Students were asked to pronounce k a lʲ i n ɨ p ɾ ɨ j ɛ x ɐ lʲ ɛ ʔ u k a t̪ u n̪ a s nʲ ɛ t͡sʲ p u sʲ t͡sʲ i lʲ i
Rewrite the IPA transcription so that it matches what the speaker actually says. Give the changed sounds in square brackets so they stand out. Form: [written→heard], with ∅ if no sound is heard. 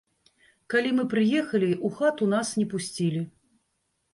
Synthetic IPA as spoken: k a lʲ i [n→m] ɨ p ɾ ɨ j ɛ x ɐ lʲ [ɛ→i] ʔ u [k→x] a t̪ u n̪ a s nʲ ɛ [t͡sʲ→∅] p u sʲ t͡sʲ i lʲ i